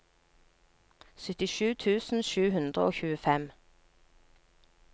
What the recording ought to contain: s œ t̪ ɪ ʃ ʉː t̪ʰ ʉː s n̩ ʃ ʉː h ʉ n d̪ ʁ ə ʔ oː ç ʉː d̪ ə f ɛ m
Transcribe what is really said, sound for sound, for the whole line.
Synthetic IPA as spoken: s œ t̪ ɪ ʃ ʉː t̪ʰ ʉː s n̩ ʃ ʉː h ʉ n d̪ ʁ ə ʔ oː ç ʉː ə f ɛ m